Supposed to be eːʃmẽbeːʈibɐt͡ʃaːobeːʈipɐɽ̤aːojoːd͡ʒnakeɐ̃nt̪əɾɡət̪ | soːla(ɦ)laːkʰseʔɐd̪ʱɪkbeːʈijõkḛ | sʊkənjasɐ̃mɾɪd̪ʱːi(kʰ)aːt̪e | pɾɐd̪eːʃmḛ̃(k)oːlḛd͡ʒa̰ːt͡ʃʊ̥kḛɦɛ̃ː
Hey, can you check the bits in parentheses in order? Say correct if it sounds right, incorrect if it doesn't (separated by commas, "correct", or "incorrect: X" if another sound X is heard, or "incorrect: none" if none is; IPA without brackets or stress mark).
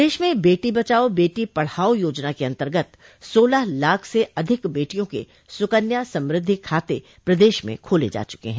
correct, correct, incorrect: kʰ